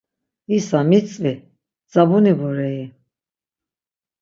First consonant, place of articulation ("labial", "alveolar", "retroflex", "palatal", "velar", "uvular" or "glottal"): alveolar